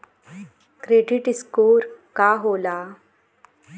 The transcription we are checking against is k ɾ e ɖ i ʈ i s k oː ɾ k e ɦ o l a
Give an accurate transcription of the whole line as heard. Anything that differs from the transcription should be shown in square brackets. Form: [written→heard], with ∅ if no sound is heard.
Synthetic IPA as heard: k ɾ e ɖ i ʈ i s k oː ɾ k [e→a] ɦ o l a